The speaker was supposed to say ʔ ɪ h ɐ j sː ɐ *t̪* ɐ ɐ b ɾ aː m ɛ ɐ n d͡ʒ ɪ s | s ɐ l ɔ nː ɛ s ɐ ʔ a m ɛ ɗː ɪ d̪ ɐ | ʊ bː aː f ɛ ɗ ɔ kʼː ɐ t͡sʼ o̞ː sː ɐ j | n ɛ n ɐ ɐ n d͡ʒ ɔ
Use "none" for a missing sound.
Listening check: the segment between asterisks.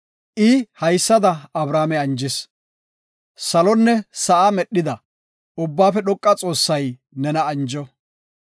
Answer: d̪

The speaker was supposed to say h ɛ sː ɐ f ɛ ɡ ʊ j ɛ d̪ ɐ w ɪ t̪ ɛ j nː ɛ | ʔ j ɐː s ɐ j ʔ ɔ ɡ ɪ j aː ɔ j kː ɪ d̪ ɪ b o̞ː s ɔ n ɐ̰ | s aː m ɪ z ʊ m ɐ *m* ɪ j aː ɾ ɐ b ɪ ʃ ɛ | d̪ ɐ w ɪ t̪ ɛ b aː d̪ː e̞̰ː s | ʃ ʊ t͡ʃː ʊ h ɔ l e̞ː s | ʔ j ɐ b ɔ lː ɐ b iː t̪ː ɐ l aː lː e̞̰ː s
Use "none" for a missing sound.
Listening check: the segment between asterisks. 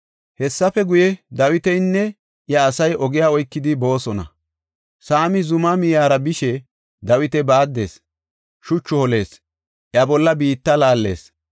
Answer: m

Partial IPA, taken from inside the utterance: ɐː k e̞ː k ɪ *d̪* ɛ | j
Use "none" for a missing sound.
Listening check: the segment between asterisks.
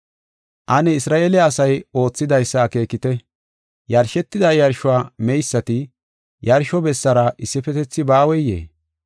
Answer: t̪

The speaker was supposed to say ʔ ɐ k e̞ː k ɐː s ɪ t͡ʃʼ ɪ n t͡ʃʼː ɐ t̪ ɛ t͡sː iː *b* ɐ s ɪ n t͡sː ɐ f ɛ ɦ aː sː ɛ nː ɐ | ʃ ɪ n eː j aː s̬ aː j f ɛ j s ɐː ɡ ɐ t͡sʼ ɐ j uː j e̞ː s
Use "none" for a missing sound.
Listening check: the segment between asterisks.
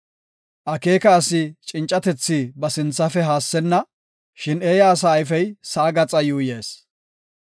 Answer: b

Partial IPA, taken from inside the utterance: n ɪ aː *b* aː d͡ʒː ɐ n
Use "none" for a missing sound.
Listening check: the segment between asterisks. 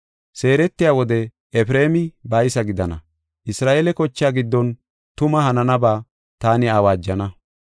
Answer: w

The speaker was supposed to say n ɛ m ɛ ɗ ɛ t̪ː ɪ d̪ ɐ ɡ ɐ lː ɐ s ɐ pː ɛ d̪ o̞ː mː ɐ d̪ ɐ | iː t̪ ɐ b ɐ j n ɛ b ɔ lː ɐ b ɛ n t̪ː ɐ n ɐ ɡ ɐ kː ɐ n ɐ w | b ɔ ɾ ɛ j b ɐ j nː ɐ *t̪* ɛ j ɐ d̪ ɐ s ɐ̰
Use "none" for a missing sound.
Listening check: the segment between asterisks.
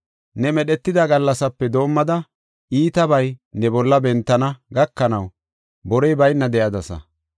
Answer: d̪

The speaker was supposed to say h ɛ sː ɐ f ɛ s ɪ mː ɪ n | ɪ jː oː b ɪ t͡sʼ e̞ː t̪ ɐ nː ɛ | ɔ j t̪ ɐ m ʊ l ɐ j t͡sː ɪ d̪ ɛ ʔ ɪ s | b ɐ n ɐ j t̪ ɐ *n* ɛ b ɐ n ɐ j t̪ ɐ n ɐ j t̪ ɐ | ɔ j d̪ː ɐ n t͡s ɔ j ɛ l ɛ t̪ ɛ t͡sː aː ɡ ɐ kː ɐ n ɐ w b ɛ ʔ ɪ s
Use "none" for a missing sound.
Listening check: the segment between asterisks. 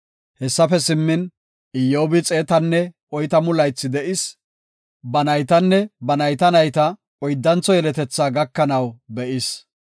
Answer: nː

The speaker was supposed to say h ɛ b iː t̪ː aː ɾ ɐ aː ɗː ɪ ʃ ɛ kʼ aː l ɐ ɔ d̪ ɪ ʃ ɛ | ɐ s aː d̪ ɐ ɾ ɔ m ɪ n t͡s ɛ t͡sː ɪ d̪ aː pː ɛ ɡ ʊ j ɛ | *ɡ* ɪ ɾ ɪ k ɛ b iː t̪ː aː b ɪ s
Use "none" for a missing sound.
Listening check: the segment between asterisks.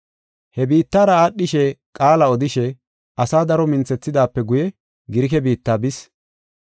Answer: ɡ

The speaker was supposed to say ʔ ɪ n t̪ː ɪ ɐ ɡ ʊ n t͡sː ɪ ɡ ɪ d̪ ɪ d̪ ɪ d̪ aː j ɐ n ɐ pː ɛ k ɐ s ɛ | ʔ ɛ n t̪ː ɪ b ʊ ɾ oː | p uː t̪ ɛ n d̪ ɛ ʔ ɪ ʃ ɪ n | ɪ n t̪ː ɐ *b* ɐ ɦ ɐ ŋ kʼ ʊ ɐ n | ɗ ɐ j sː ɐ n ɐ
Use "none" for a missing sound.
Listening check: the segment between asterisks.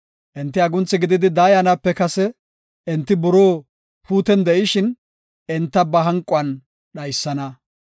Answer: b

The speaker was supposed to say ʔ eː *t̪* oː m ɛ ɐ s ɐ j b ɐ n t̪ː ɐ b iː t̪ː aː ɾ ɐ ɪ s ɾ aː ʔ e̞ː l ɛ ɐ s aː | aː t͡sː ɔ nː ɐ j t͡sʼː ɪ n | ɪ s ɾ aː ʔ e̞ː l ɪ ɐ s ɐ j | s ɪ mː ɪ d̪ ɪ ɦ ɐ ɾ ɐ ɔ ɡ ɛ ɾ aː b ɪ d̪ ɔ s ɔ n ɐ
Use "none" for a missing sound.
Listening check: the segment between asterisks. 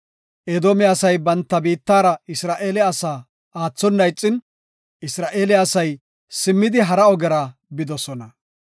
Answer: d̪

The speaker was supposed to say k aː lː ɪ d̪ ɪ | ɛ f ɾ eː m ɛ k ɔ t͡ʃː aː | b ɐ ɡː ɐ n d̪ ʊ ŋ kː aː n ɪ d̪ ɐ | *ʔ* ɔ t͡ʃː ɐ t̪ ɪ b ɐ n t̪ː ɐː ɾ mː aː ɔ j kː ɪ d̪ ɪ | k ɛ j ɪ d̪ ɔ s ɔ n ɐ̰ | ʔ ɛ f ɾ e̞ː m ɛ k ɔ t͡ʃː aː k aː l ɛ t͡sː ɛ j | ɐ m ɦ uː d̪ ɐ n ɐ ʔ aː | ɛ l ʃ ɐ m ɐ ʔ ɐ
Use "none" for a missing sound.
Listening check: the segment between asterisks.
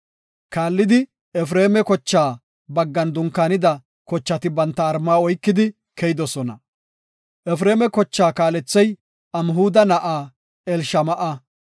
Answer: k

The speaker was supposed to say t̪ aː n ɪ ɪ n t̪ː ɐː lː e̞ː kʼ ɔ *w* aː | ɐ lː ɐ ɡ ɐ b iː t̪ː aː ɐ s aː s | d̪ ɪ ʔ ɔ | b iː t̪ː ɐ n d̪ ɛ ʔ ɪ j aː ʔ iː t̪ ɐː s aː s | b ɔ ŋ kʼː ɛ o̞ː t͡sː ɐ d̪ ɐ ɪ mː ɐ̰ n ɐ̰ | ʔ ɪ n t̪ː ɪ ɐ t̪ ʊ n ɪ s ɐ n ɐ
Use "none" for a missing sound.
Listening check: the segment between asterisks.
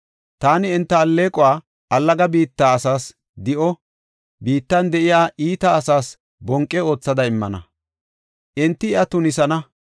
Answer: w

